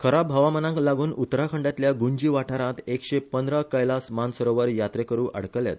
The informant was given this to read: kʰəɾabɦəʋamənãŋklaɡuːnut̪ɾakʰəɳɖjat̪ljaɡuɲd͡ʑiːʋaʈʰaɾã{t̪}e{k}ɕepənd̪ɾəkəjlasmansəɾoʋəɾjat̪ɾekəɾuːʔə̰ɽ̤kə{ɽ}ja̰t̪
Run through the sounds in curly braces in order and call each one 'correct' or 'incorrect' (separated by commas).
correct, correct, incorrect